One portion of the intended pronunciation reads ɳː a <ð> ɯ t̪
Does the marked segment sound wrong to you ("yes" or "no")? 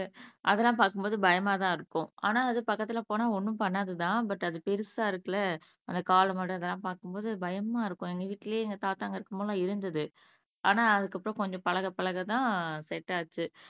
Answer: no